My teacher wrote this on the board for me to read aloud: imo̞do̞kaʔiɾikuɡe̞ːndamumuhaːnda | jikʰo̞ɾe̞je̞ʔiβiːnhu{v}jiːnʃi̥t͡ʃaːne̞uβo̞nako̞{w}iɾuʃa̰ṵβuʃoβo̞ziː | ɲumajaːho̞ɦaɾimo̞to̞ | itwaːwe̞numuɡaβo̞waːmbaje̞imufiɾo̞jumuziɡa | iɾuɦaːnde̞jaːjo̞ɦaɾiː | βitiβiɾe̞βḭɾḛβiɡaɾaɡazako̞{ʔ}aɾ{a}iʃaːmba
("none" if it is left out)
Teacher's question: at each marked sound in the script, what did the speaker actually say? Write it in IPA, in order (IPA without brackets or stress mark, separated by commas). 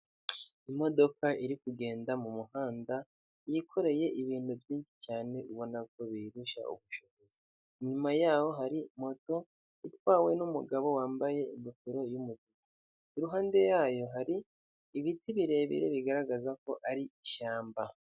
v, β, ʔ, i